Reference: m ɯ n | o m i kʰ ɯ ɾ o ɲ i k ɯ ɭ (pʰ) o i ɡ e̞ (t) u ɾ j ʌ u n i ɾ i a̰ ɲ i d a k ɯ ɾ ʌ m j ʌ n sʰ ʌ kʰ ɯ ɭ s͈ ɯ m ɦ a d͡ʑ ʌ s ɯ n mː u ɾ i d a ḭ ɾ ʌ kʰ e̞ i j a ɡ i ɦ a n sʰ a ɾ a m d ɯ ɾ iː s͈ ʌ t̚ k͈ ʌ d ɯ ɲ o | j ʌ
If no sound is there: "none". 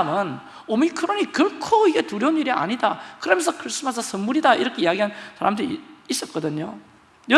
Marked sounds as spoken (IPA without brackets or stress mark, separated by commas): kʰ, t